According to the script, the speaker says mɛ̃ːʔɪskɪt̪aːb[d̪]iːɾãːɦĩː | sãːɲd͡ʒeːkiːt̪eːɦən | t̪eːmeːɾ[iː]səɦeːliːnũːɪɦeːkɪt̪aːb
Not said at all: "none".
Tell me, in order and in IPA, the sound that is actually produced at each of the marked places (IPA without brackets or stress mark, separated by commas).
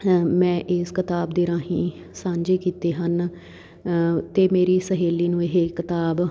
d̪, iː